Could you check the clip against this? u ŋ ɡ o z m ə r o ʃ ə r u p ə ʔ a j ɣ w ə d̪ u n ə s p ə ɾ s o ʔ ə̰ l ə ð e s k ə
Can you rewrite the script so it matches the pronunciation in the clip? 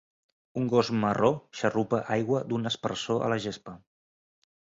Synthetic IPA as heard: u ŋ ɡ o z m ə r o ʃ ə r u p ə ʔ a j ɣ w ə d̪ u n ə s p ə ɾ s o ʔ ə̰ l ə ʒ e s p ə